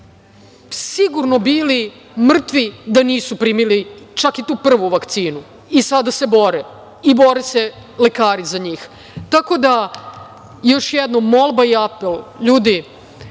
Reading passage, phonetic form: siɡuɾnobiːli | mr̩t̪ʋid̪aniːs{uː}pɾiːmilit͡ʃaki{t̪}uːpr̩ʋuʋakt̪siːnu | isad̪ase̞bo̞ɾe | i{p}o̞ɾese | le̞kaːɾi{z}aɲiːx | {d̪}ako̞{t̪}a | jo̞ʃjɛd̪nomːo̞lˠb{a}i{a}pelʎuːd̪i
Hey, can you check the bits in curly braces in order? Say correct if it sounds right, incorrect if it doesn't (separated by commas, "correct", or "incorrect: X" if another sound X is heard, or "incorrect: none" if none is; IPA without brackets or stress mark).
incorrect: u, correct, incorrect: b, correct, incorrect: t̪, incorrect: d̪, correct, correct